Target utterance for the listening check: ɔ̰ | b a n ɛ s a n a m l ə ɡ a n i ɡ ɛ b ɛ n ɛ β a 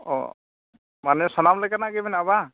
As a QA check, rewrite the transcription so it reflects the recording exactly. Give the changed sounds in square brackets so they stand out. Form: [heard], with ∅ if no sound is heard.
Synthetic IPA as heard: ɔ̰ | [m] a n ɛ s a n a m l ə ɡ a n [a] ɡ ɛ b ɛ n [a] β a